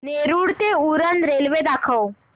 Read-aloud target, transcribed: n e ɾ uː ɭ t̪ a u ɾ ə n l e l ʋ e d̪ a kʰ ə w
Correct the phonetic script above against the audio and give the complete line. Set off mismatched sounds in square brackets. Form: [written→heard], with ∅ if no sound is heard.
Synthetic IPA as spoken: n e ɾ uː [ɭ→ɽ] t̪ [a→e] u ɾ ə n [l→ɾ] e l ʋ e d̪ a kʰ ə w